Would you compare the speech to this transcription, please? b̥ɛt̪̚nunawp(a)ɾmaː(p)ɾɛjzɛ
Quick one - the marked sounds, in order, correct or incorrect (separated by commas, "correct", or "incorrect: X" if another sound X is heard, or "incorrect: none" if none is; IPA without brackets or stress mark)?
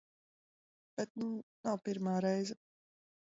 incorrect: i, incorrect: none